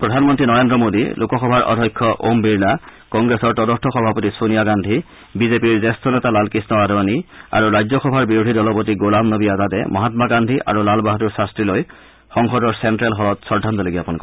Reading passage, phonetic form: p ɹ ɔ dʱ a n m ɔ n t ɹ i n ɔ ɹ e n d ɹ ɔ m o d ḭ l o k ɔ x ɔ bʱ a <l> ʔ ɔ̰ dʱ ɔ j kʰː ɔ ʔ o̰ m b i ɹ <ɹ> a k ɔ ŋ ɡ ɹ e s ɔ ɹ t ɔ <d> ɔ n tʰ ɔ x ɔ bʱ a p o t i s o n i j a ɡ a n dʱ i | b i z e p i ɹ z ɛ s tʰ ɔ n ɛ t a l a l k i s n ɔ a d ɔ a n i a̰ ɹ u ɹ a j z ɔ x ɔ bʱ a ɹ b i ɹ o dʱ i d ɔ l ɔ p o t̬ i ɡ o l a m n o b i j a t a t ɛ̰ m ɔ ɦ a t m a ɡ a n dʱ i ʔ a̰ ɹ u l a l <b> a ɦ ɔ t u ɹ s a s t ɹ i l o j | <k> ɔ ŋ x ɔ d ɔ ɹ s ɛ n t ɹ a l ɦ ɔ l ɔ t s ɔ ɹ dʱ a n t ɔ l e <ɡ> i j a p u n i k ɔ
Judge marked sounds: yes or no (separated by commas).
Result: no, no, yes, yes, no, yes